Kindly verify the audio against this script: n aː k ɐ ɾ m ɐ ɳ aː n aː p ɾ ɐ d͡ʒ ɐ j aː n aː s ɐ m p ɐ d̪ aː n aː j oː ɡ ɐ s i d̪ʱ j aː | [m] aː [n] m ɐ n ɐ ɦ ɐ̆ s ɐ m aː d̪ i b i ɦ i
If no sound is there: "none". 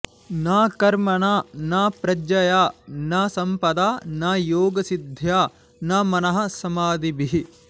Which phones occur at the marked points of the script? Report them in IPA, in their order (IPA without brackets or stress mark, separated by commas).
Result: n, none